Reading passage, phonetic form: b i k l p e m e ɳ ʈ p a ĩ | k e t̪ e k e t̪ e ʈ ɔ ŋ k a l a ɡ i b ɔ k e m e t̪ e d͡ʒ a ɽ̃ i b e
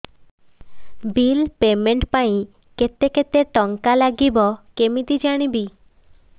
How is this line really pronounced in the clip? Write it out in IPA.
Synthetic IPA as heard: b i l p e m e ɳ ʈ p a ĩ | k e t̪ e k e t̪ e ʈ ɔ ŋ k a l a ɡ i b ɔ k e m i t̪ i d͡ʒ a ɽ̃ i b i